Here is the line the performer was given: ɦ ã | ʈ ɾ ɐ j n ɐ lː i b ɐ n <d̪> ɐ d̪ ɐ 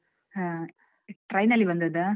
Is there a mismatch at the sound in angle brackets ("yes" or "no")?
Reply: no